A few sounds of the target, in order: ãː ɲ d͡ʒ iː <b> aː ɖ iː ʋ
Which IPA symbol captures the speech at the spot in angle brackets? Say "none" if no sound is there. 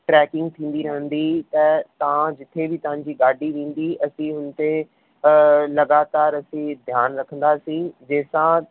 ɡ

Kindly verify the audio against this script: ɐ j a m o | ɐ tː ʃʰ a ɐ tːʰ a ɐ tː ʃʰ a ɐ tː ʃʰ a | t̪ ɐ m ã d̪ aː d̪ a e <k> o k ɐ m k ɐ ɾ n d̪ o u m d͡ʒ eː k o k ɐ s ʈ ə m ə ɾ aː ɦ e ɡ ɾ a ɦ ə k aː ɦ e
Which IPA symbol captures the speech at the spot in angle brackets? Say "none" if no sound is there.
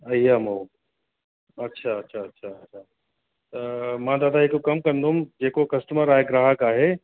k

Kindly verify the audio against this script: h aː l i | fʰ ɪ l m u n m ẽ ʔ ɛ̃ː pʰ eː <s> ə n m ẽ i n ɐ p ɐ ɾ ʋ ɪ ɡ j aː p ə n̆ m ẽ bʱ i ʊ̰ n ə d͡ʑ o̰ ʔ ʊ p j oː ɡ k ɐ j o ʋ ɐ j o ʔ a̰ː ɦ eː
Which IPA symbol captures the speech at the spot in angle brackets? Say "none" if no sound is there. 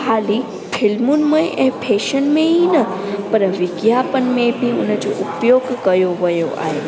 ʃ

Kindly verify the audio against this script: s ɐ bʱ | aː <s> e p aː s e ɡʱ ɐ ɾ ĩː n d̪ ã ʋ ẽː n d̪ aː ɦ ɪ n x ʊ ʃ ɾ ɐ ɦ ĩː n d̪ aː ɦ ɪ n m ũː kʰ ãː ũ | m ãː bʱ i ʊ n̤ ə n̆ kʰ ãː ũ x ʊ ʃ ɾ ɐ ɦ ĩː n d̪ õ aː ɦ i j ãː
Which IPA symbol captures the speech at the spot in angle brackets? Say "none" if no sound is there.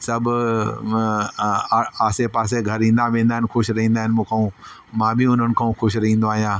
s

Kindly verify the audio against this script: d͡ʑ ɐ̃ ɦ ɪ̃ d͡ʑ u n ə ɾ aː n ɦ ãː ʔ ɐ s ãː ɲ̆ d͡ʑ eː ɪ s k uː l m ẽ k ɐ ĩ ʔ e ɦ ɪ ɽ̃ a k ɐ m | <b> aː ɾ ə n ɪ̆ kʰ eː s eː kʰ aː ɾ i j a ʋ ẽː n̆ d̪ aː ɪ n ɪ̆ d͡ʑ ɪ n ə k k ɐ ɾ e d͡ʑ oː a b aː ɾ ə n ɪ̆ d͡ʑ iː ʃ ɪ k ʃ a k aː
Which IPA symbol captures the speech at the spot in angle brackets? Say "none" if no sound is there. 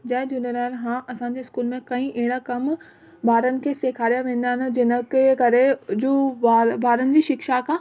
b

